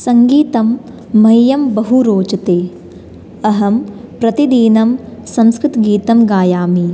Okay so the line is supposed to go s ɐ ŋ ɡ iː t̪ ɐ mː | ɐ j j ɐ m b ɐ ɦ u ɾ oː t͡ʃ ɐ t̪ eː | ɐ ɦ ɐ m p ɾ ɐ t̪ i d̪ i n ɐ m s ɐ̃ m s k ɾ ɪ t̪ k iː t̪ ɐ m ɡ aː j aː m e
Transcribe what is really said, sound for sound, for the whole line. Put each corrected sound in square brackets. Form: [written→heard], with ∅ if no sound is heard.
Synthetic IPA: s ɐ ŋ ɡ iː t̪ ɐ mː | ɐ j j ɐ m b ɐ ɦ u ɾ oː t͡ʃ ɐ t̪ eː | ɐ ɦ ɐ m p ɾ ɐ t̪ i d̪ [i→iː] n ɐ m s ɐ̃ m s k ɾ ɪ t̪ [k→ɡ] iː t̪ ɐ m ɡ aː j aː m [e→i]